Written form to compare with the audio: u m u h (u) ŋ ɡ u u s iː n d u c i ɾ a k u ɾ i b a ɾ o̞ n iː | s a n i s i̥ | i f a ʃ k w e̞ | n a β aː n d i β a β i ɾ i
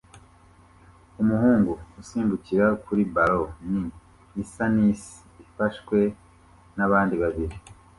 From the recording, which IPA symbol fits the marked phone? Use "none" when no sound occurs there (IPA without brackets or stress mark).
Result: uː